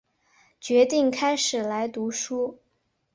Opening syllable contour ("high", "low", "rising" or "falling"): rising